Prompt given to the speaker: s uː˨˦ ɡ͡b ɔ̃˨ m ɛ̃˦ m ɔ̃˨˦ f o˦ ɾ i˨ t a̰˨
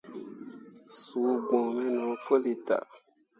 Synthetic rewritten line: s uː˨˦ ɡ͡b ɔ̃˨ m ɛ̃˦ n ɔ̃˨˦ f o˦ l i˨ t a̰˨